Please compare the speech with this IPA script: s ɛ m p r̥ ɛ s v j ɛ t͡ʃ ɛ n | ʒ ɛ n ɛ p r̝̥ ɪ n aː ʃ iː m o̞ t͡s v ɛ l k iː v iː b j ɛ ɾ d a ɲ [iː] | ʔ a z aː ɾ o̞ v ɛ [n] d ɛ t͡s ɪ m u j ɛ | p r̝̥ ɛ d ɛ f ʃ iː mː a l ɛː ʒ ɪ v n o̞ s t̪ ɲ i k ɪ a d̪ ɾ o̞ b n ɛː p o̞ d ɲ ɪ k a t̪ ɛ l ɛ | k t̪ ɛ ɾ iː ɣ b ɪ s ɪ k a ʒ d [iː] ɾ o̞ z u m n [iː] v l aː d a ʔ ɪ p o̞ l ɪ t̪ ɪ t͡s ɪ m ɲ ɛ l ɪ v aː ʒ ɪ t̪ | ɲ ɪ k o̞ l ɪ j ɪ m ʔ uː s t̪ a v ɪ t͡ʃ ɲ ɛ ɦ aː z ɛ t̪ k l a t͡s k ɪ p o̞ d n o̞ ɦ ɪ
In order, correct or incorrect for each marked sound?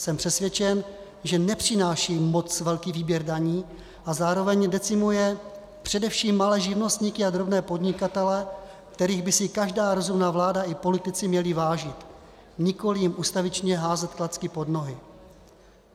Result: correct, incorrect, incorrect, incorrect

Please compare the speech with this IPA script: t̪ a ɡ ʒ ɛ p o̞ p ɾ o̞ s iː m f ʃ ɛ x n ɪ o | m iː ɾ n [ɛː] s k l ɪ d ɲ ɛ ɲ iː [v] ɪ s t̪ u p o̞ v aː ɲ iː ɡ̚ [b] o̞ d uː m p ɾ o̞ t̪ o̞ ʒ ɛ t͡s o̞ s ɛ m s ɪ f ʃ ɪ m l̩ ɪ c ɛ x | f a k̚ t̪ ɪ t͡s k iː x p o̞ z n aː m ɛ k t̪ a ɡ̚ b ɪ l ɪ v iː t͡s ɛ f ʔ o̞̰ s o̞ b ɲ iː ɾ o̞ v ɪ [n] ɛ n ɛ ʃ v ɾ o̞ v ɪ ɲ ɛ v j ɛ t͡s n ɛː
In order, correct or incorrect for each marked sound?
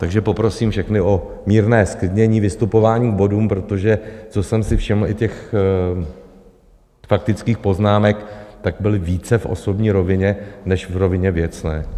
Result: correct, correct, correct, incorrect

